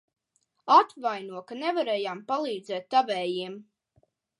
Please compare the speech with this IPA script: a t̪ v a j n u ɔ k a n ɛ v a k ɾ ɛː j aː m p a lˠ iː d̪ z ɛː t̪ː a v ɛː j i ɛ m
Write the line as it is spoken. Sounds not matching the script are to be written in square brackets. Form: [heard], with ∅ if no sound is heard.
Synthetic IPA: a t̪ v a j n u ɔ k a n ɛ v a [∅] ɾ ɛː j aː m p a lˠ iː d̪ z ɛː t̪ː a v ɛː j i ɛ m